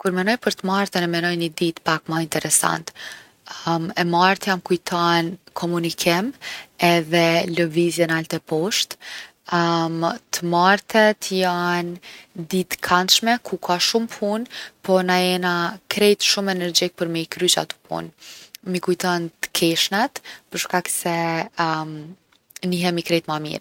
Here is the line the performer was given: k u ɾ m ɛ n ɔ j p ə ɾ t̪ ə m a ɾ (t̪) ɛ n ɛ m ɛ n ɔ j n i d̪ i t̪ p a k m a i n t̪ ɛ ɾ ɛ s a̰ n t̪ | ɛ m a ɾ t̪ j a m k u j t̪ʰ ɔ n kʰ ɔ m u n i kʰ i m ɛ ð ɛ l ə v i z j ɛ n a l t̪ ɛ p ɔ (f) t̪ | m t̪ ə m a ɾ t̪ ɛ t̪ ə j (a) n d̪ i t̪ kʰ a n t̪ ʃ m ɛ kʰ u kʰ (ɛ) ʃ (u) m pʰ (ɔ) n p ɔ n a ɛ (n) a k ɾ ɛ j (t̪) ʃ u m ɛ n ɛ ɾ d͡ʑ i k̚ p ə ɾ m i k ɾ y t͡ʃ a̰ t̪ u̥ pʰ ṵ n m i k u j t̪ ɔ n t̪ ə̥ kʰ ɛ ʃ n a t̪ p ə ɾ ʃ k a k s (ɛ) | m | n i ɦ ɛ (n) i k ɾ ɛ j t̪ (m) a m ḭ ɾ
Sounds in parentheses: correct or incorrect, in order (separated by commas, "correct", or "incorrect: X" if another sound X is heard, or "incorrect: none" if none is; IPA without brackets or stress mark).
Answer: correct, incorrect: ʃ, correct, incorrect: a, correct, incorrect: u, correct, correct, correct, incorrect: m, correct